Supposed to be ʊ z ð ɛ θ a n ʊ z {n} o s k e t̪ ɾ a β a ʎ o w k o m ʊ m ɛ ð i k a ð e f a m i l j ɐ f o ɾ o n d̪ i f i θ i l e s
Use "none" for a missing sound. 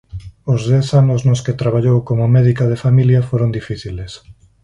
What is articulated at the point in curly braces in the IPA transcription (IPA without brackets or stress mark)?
n